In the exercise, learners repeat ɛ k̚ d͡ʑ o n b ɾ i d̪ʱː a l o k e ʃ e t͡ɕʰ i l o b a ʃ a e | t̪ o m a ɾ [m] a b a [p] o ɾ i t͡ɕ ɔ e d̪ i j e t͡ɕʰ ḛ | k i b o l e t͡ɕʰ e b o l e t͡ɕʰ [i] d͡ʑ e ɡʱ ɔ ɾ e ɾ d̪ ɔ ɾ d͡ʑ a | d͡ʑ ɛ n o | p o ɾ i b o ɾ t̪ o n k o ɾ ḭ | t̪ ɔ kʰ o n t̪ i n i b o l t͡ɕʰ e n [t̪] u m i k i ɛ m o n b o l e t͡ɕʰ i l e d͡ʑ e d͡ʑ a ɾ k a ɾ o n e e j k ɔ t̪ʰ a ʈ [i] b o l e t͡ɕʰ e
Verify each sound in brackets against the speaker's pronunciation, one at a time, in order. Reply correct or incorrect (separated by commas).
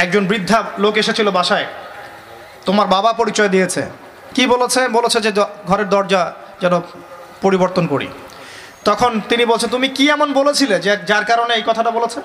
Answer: incorrect, correct, incorrect, correct, incorrect